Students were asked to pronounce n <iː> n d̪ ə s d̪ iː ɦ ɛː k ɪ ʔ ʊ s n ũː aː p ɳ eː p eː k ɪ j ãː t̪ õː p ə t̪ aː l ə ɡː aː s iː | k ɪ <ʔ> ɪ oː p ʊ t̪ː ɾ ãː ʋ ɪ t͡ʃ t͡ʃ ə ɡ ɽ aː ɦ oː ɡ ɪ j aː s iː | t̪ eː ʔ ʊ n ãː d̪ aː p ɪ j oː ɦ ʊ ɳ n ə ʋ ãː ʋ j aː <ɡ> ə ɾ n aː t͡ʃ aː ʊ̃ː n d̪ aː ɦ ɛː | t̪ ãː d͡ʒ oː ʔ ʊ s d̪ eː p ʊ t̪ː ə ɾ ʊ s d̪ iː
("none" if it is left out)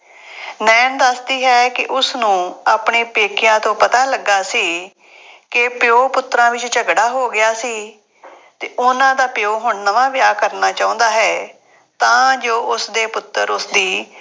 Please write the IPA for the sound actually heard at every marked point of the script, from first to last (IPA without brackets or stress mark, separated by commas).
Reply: ɛː, p, k